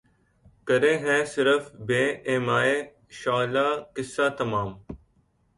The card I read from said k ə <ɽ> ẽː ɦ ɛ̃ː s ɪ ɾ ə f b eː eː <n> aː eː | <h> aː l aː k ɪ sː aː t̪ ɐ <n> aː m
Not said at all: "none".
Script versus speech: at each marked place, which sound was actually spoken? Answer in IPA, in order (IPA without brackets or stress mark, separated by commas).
ɾ, m, ʃ, m